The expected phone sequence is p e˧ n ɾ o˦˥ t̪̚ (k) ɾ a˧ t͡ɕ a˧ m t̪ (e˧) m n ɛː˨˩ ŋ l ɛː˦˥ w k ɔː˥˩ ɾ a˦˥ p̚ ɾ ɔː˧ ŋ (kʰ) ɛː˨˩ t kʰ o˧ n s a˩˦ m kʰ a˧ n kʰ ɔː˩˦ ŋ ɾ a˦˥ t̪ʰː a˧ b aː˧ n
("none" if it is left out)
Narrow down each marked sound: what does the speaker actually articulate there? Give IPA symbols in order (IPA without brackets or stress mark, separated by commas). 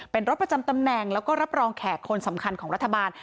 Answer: p, a˧, kʰ